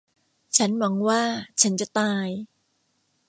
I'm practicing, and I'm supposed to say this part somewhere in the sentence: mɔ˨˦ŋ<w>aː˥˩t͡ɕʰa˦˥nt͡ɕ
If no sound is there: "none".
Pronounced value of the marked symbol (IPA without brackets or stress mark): w